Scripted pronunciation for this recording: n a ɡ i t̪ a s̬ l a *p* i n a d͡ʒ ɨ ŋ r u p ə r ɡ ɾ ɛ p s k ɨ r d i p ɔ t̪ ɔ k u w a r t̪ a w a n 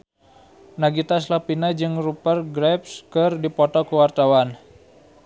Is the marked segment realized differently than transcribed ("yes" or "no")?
no